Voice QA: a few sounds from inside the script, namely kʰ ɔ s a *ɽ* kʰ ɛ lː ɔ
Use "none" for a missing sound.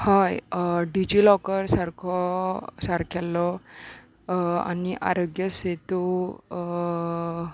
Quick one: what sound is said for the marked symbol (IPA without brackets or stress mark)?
ɾ